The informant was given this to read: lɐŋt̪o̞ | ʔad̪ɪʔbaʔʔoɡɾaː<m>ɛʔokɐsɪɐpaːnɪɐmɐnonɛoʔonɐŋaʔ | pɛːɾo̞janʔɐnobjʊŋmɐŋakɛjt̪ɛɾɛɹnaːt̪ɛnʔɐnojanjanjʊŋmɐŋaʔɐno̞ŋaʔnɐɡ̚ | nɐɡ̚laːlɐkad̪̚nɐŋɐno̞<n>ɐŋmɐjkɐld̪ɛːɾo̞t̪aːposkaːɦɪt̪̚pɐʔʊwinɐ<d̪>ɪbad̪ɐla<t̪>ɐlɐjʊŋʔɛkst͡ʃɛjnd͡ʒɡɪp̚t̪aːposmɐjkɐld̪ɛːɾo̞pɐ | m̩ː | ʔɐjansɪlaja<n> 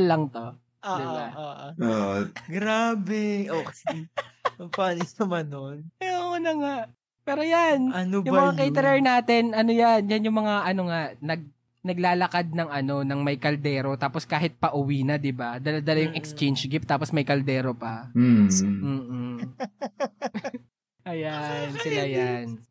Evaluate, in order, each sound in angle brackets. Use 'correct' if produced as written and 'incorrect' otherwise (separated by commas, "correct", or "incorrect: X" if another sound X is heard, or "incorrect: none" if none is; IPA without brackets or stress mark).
incorrect: b, correct, correct, incorrect: d̪, correct